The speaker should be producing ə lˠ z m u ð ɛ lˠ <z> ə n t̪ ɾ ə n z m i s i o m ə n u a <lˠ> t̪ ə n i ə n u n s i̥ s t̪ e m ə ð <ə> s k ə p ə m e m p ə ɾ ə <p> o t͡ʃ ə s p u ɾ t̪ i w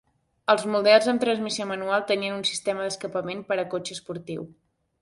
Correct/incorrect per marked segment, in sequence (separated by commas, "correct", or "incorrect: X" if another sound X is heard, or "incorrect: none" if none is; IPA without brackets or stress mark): correct, correct, correct, incorrect: k